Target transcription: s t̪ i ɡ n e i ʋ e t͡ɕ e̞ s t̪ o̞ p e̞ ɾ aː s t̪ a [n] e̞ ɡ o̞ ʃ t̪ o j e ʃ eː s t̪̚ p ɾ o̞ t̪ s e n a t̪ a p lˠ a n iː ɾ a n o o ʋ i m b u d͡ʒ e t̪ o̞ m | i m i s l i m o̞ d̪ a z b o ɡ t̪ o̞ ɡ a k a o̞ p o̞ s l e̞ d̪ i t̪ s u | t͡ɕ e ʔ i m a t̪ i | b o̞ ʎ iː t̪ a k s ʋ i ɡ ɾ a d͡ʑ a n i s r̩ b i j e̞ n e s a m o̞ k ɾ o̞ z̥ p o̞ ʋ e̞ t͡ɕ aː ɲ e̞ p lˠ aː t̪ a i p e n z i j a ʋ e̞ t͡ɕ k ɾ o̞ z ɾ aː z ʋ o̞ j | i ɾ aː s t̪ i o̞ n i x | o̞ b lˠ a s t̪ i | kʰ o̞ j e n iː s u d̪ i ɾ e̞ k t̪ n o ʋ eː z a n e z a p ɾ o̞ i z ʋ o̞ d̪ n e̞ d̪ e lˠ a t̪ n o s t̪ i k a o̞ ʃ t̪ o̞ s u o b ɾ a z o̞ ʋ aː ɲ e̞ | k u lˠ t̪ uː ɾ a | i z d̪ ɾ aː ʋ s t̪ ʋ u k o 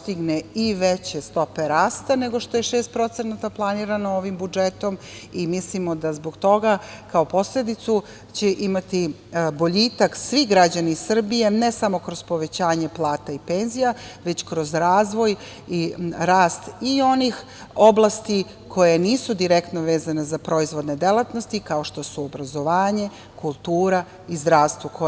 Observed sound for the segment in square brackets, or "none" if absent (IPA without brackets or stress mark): n